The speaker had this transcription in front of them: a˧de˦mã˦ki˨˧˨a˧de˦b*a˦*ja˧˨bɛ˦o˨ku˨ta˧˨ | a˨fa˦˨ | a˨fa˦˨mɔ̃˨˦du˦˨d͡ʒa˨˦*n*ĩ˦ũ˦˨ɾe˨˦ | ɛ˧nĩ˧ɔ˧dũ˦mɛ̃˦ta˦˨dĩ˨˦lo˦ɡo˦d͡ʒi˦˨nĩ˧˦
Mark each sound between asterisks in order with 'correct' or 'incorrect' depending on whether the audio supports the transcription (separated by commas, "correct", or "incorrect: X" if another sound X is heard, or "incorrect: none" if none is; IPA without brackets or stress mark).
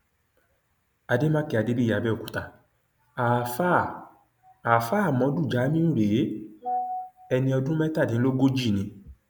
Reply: incorrect: i˦, incorrect: m